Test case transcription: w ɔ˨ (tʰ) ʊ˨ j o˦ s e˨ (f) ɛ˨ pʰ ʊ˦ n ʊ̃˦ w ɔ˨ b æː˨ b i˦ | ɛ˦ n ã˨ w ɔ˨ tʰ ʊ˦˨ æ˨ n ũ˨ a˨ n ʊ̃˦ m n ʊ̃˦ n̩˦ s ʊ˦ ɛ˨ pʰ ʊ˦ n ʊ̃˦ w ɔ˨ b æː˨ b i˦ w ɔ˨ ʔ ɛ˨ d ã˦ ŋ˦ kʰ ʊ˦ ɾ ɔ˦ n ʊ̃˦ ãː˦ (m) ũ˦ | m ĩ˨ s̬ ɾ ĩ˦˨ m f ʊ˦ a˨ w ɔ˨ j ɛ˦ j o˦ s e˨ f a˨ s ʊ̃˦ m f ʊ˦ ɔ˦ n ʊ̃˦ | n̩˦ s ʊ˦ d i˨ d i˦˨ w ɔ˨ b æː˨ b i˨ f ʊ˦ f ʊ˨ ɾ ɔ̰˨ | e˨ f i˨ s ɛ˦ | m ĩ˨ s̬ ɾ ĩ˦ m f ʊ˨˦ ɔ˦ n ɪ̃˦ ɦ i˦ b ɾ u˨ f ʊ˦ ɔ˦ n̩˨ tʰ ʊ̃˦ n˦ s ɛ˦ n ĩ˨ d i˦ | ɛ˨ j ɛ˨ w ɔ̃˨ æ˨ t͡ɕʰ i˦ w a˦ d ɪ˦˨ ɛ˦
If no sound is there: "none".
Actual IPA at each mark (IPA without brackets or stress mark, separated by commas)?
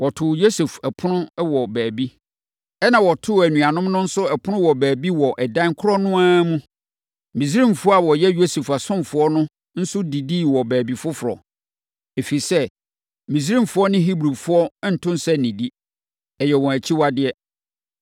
tʰ, f, m